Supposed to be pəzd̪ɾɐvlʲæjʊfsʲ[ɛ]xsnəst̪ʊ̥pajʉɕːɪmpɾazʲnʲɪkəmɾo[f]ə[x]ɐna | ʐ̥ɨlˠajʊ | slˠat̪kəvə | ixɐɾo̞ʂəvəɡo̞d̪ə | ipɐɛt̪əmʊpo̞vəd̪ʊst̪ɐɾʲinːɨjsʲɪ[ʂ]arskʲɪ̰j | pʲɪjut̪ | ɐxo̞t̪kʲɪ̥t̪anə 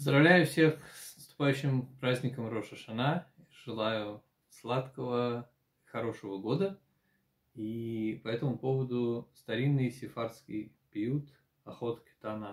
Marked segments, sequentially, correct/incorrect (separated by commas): incorrect, incorrect, incorrect, incorrect